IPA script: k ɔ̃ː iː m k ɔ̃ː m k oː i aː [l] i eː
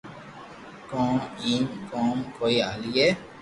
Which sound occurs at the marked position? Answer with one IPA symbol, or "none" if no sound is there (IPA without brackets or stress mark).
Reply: l